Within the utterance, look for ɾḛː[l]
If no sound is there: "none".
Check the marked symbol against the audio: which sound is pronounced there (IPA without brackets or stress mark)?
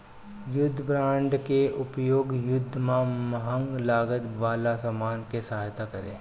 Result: none